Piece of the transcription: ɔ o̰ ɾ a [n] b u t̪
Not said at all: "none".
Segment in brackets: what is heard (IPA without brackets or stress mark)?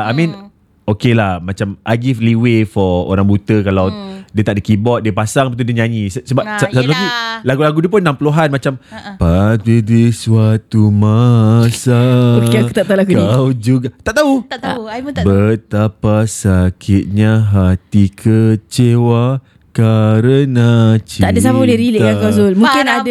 ŋ